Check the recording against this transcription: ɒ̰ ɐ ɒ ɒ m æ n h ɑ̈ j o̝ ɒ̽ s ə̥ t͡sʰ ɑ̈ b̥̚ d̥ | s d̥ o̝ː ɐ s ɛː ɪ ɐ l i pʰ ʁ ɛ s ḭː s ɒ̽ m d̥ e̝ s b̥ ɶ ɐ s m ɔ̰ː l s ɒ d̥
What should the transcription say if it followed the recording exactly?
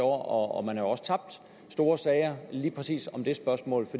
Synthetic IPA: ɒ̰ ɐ ɒ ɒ m æ n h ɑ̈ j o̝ ɒ̽ s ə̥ t͡sʰ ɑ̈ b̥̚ d̥ | s d̥ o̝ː ɐ s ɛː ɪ ɐ l iː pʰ ʁ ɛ s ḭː s ɒ̽ m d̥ e̝ s b̥ ɶ ɐ s m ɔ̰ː l f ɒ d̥